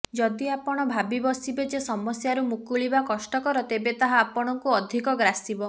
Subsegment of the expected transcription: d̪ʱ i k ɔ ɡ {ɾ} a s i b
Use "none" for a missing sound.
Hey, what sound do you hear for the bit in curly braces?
ɾ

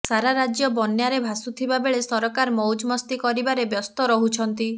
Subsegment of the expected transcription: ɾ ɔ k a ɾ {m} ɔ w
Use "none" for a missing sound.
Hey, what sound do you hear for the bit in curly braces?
m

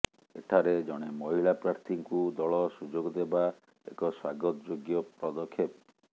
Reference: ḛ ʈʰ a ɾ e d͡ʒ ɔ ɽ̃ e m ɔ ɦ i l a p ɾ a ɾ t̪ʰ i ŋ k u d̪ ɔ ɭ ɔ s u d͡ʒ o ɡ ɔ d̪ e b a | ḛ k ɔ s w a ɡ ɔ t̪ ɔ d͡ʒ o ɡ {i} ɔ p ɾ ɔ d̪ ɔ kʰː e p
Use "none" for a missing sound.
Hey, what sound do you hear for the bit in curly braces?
j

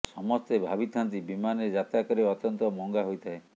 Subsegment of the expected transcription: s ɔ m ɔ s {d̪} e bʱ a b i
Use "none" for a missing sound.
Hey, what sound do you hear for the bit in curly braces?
t̪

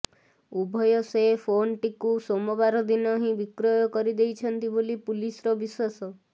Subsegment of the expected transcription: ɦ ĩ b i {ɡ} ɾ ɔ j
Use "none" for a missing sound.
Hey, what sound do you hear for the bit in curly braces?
k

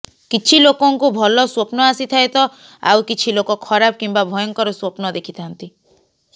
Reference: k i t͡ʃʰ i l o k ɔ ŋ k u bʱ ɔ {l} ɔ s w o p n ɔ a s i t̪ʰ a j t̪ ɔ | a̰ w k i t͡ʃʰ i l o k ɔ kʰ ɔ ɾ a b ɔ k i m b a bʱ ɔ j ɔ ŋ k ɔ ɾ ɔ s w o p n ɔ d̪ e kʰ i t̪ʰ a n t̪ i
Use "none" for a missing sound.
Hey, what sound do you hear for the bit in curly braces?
l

